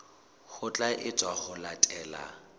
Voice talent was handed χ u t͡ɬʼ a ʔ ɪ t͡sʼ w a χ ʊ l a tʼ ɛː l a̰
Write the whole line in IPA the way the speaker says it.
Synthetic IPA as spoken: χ ʊ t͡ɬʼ a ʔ ɪ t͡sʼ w a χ ʊ l a tʼ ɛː l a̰